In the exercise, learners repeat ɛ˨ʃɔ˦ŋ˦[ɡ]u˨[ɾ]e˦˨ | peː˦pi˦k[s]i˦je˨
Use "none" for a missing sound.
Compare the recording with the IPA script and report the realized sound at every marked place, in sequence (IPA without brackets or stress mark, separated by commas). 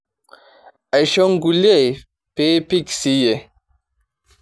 ɡ, l, s